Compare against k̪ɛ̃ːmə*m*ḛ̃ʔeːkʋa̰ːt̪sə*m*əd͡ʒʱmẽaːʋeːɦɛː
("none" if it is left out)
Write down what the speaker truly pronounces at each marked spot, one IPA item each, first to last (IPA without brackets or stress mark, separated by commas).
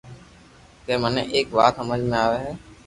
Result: n, m